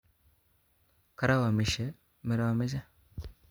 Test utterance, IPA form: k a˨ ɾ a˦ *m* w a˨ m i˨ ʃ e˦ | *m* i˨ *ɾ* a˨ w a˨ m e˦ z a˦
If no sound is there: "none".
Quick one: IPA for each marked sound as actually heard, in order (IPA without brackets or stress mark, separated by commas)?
none, m, ɾ